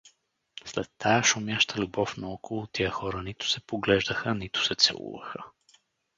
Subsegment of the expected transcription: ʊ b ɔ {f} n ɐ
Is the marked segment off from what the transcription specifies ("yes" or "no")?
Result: no